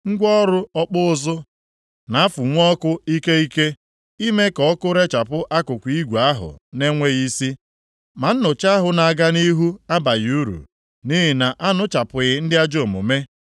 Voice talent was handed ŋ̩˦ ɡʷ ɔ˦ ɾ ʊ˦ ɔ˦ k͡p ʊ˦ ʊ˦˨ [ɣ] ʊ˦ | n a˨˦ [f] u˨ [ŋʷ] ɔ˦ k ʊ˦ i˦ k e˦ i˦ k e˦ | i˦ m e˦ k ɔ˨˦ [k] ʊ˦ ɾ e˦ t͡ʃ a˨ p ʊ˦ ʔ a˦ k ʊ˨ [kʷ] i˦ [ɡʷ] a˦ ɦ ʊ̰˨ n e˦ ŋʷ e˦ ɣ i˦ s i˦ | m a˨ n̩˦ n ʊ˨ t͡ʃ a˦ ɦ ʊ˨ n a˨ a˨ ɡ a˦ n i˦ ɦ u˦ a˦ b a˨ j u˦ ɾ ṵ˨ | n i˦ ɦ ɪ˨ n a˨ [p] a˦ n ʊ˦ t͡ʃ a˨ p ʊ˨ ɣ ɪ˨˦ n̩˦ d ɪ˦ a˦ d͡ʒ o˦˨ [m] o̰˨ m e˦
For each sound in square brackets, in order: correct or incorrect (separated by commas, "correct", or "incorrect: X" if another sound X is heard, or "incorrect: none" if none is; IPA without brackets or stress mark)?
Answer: incorrect: z, correct, correct, correct, correct, correct, incorrect: ʔ, correct